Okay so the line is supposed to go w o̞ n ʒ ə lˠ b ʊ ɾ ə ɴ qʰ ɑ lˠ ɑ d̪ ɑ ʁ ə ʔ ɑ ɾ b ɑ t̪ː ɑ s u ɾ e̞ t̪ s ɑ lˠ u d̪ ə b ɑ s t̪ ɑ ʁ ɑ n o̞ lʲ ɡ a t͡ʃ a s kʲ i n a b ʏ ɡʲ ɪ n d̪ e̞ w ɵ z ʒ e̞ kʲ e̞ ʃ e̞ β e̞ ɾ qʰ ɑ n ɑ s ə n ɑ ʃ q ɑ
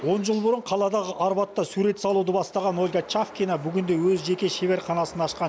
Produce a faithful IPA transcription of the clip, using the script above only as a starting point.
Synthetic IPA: w o̞ n ʒ ə lˠ b ʊ ɾ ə ɴ qʰ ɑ lˠ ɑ d̪ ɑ ʁ ə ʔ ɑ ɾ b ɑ t̪ː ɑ s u ɾ e̞ t̪ s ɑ lˠ u d̪ ə b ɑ s t̪ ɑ ʁ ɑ n o̞ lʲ ɡ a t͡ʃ a f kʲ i n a b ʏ ɡʲ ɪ n d̪ e̞ w ɵ z ʒ e̞ kʲ e̞ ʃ e̞ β e̞ ɾ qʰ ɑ n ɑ s ə n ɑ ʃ q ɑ